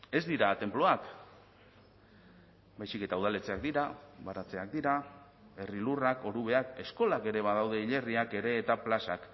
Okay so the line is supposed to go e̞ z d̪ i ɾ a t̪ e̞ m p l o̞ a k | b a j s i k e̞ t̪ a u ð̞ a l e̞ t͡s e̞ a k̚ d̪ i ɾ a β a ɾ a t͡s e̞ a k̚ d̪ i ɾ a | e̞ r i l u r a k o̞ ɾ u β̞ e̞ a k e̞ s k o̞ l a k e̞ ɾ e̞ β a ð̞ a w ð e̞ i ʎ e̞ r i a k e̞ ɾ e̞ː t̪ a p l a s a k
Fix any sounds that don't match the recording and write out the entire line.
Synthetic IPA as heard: e̞ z d̪ i ɾ a t̪ e̞ m p l o̞ a k | b a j s i k e̞ t̪ a u ð̞ a l e̞ t͡s e̞ a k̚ d̪ i ɾ a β a ɾ a t͡s e̞ a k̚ d̪ i ɾ a | e̞ r i l u r a k o̞ ɾ u β̞ e̞ a k e̞ s k o̞ l a k e̞ ɾ e̞ β a ð̞ a w ð e̞ i ʎ e̞ r i a k e̞ ɾ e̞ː t̪ a p l a s a k